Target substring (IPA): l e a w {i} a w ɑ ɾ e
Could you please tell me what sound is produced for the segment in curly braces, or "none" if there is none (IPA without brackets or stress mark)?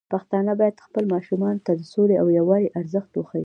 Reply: j